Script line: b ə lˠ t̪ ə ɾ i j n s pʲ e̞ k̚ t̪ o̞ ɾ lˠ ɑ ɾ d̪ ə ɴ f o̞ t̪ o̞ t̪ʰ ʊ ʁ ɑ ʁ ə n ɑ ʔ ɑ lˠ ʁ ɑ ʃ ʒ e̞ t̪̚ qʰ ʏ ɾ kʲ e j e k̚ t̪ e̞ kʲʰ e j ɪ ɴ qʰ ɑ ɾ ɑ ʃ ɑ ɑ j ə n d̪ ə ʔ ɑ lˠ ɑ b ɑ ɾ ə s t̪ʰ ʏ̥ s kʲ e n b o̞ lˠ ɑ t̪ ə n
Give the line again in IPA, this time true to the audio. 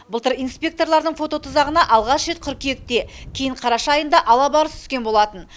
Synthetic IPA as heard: b ə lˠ t̪ ə ɾ i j n s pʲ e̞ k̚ t̪ o̞ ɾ lˠ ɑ ɾ d̪ ə ɴ f o̞ t̪ o̞ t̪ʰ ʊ z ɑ ʁ ə n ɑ ʔ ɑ lˠ ʁ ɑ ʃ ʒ e̞ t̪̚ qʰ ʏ ɾ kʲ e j e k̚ t̪ e̞ kʲʰ e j ɪ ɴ qʰ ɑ ɾ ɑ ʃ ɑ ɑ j ə n d̪ ɑ ʔ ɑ lˠ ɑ b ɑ ɾ ə s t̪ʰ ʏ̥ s kʲ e n b o̞ lˠ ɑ t̪ ə n

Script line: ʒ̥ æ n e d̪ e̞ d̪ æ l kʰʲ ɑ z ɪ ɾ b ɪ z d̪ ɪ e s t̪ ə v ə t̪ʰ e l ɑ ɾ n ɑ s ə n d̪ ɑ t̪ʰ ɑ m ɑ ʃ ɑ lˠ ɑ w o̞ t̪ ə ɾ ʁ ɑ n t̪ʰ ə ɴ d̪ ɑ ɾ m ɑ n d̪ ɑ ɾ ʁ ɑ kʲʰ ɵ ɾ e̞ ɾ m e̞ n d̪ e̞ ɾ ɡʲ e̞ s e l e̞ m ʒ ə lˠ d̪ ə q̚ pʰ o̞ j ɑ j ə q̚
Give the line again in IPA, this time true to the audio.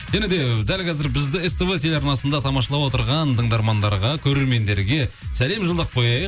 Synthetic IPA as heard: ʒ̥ æ n e d̪ e̞ d̪ æ l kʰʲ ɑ z ɪ ɾ b ɪ z d̪ ɪ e s t̪ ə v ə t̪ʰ e l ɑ ɾ n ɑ s ə n d̪ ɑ t̪ʰ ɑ m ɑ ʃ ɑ lˠ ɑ w o̞ t̪ ə ɾ ʁ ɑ n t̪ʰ ə ɴ d̪ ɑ ɾ m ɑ n d̪ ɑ ɾ ʁ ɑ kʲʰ ɵ ɾ e̞ ɾ m e̞ n d̪ e̞ ɾ ɡʲ e̞ s æ l e̞ m ʒ ə lˠ d̪ ə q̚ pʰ o̞ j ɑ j ə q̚

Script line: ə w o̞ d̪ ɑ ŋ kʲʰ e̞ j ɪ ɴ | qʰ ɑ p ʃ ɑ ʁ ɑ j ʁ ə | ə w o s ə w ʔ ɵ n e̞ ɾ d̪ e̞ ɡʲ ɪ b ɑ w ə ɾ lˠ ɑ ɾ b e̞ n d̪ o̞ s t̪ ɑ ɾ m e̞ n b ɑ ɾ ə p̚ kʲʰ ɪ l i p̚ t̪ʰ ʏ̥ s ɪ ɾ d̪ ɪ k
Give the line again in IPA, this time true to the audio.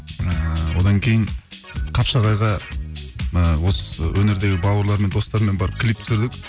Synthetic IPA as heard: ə w o̞ d̪ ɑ ŋ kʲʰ e̞ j ɪ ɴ | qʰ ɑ p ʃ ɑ ʁ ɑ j ʁ ɑ | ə w o s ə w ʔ ɵ n e̞ ɾ d̪ e̞ ɡʲ ɪ b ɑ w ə ɾ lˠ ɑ ɾ m e̞ n d̪ o̞ s t̪ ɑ ɾ m e̞ n b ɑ ɾ ə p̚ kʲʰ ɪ l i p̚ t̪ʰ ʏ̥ s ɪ ɾ d̪ ɪ k

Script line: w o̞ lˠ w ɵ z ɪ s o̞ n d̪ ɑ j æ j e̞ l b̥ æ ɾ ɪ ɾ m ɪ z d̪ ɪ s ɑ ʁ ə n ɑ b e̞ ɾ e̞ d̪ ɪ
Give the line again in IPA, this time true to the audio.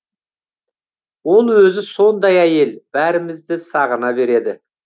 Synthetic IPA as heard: w o̞ lˠ w ɵ z ɪ s o̞ n d̪ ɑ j æ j e̞ l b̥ æ ɾ ɪ m ɪ z d̪ ɪ s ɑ ʁ ə n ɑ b e̞ ɾ e̞ d̪ ɪ

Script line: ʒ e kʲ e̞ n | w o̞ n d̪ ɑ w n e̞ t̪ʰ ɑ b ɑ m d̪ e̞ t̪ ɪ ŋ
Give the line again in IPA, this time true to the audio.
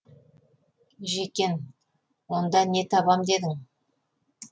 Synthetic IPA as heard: ʒ e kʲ e̞ n | w o̞ n d̪ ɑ n e̞ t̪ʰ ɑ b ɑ m d̪ e̞ d̪ ɪ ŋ

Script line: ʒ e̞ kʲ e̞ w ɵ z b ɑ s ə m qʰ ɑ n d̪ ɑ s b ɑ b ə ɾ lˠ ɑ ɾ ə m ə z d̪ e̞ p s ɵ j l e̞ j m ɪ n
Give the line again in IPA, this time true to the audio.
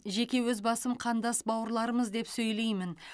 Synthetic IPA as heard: ʒ e̞ kʲ e̞ w ɵ z b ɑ s ə m qʰ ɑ n d̪ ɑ s b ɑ w ə ɾ lˠ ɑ ɾ ə m ə z d̪ e̞ p s ɵ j l e̞ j m ɪ n

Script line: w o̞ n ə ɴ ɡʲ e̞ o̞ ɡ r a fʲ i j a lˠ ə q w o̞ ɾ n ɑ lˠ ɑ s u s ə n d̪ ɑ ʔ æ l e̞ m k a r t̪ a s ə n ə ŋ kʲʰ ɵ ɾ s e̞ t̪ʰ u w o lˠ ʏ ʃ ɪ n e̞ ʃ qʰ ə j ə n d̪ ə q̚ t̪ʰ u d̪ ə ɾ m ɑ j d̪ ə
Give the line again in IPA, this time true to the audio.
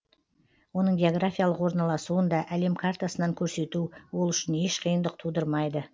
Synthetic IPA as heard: w o̞ n ə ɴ ɡʲ e̞ o̞ ɡ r a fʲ i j a lˠ ə q w o̞ ɾ n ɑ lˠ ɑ s u ə n d̪ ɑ ʔ æ l e̞ m kʰ a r t̪ a s ə n ɑ ŋ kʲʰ ɵ ɾ s e̞ t̪ u w o lˠ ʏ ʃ ɪ n e̞ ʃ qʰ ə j ə n d̪ ə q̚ t̪ʰ u d̪ ə ɾ m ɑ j d̪ ə

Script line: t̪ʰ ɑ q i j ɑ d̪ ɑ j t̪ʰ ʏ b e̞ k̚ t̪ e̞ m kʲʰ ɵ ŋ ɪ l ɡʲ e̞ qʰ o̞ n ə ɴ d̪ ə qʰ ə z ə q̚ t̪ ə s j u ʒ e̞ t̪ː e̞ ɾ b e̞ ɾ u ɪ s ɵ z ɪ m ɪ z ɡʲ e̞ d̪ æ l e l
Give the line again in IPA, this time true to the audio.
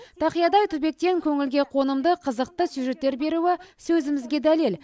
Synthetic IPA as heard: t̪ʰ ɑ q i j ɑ d̪ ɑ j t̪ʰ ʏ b e̞ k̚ t̪ e̞ ŋ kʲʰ ɵ ŋ ɪ l ɡʲ e̞ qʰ o̞ n ə m d̪ ə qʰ ə z ə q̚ t̪ ə s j u ʒ e̞ t̪ː e̞ ɾ b e̞ ɾ u ɪ s ɵ z ɪ m ɪ z ɡʲ e̞ d̪ æ l e l

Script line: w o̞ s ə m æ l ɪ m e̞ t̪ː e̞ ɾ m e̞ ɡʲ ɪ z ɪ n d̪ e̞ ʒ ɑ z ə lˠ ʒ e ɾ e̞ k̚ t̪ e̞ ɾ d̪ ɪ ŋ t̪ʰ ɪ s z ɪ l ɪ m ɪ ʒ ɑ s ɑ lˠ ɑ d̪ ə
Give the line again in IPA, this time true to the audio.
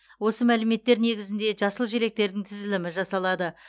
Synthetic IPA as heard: w o̞ s ə m æ l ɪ m e̞ t̪ː e̞ ɾ n e̞ ɡʲ ɪ z ɪ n d̪ e̞ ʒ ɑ s ə lˠ ʒ e ɾ e̞ k̚ t̪ e̞ ɾ d̪ ɪ ŋ t̪ʰ ɪ z ɪ l ɪ m ɪ ʒ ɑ s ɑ lˠ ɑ d̪ ə

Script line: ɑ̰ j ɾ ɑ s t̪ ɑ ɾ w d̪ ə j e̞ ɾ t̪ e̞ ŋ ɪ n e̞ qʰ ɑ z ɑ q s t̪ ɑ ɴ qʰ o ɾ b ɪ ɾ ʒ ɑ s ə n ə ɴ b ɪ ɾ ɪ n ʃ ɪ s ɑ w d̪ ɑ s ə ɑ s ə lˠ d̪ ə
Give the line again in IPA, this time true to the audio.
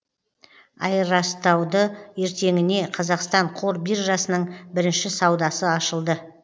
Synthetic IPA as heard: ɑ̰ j ɾ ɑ s t̪ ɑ w d̪ ə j e̞ ɾ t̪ e̞ ŋ ɪ n e̞ qʰ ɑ z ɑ q s t̪ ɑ ɴ qʰ o ɾ b i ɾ ʒ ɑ s ə n ə ɴ b ɪ ɾ ɪ n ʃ ɪ s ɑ w d̪ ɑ s ə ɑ ʃ ə lˠ d̪ ə

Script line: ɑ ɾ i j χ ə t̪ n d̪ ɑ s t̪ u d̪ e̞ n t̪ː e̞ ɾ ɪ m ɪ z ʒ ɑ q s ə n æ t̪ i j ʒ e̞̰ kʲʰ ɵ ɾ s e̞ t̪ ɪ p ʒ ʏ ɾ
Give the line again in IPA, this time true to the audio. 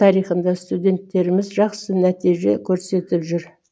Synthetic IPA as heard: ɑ ɾ i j χ ə n d̪ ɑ s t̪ u d̪ e̞ n t̪ː e̞ ɾ ɪ m ɪ z ʒ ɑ q s ə n æ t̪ i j ʒ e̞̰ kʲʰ ɵ ɾ s e̞ t̪ ɪ p ʒ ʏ ɾ

